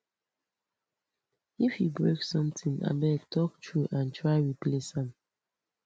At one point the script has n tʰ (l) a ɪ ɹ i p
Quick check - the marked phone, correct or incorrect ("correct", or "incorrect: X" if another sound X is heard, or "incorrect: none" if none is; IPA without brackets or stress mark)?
incorrect: ɹ